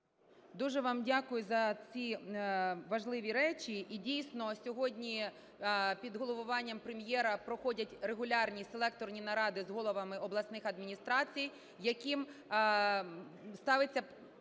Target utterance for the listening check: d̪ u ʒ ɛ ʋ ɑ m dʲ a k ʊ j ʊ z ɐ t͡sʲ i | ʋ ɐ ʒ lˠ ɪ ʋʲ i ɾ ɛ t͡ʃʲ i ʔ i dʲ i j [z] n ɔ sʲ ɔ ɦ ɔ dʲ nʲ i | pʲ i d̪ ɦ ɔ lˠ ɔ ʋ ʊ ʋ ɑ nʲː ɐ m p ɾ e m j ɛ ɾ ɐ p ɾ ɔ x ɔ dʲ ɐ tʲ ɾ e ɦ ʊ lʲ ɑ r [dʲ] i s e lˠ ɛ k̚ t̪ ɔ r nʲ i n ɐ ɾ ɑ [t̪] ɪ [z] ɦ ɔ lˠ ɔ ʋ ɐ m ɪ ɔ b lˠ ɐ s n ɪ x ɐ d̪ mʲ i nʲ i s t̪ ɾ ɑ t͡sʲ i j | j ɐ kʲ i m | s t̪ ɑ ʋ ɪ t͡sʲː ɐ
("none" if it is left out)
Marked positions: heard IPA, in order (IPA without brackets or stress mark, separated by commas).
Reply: s, nʲ, d̪, z